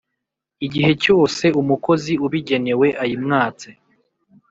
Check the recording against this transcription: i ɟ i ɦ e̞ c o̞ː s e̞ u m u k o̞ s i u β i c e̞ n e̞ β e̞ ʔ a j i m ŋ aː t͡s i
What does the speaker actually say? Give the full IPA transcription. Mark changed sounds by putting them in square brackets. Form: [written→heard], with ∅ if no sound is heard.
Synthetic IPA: i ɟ i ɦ e̞ c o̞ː s e̞ u m u k o̞ [s→z] i u β i [c→ɟ] e̞ n e̞ [β→w] e̞ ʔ a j i m ŋ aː t͡s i